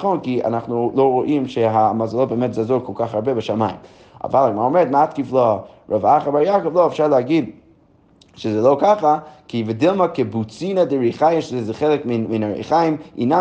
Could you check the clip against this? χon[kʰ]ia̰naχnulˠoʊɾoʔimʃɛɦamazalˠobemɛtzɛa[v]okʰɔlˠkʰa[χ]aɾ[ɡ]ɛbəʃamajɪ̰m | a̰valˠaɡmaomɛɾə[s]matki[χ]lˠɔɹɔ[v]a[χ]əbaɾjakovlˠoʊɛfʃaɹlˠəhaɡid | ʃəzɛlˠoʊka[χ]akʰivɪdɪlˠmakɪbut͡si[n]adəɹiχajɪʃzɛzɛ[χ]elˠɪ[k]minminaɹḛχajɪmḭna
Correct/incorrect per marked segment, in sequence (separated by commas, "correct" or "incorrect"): incorrect, incorrect, correct, incorrect, incorrect, incorrect, correct, correct, correct, correct, correct, correct